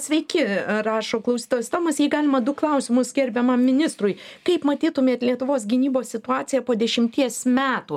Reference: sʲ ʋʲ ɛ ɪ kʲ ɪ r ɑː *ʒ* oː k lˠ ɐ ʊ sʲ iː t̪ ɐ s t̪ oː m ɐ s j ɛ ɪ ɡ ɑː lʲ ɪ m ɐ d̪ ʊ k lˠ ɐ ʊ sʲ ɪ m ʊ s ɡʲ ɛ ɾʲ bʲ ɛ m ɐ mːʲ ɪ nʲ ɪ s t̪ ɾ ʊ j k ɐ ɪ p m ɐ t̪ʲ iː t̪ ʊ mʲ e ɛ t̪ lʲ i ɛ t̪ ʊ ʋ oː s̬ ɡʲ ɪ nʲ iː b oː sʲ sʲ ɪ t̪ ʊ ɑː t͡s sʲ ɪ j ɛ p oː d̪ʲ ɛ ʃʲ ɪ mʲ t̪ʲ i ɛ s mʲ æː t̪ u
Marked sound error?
yes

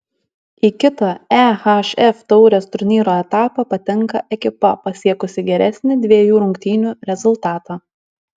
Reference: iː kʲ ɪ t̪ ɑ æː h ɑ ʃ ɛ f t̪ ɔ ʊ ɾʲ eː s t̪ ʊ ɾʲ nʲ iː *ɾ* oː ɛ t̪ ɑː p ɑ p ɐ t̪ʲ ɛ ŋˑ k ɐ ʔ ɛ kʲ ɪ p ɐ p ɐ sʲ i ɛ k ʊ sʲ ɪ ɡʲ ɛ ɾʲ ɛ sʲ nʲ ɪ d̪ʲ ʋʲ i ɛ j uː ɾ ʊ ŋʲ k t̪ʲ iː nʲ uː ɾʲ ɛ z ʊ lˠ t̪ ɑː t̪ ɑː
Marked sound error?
no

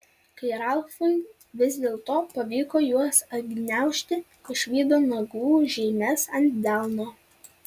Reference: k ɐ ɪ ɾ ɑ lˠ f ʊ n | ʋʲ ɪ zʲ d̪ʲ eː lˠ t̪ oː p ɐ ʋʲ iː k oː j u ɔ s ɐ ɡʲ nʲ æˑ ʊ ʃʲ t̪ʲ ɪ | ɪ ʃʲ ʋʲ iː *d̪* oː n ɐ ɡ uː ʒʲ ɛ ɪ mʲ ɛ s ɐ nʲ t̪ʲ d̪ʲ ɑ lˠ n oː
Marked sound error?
no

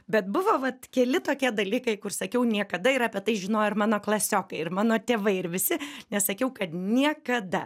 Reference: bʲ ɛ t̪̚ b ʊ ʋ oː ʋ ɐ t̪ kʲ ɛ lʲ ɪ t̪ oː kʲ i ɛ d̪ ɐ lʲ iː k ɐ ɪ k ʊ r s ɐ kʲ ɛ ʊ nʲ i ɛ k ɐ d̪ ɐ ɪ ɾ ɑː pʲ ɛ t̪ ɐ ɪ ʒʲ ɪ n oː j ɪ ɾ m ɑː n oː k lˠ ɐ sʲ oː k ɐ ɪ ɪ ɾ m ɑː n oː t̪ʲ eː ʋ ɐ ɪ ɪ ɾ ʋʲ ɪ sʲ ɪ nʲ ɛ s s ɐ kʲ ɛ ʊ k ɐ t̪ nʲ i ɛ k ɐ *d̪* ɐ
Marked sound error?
no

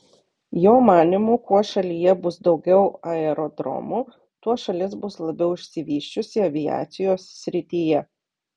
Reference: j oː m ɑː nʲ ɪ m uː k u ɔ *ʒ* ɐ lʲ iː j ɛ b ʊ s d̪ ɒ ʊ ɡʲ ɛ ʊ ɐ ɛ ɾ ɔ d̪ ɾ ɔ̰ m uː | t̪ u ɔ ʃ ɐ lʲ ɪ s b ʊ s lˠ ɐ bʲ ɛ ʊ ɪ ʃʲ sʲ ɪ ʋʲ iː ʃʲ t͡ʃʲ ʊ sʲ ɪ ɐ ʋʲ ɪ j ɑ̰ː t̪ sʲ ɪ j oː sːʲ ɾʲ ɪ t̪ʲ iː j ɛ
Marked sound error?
yes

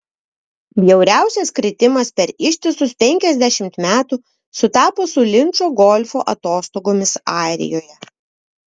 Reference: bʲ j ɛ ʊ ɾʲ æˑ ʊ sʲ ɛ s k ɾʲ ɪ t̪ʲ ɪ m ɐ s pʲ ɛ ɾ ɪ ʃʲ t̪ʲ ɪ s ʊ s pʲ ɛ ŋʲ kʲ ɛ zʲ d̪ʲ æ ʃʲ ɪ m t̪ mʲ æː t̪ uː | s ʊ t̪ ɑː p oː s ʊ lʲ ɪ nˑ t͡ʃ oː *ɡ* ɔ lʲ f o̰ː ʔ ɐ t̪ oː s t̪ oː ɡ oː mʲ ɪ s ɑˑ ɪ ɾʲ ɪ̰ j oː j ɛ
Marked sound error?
no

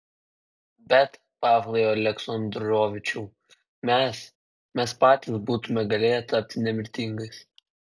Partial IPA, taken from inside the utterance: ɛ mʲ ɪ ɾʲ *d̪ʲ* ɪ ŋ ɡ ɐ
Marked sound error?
yes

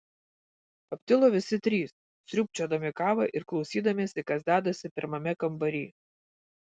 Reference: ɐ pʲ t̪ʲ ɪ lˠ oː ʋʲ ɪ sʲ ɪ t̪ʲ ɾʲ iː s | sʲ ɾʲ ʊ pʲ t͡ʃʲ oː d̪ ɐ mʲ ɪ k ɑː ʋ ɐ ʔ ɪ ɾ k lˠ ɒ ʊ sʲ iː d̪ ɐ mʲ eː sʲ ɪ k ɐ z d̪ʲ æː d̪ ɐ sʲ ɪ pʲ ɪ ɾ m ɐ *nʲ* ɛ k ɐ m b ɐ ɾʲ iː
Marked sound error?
yes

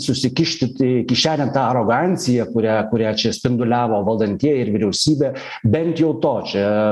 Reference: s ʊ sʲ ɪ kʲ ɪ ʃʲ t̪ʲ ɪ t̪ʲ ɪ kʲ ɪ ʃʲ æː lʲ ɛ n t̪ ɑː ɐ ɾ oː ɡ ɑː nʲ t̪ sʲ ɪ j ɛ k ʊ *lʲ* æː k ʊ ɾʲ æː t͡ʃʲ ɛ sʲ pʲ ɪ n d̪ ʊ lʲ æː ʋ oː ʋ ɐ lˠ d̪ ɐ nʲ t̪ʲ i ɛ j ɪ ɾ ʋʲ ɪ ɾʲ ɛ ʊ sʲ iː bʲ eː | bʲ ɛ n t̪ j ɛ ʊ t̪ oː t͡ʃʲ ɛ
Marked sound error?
yes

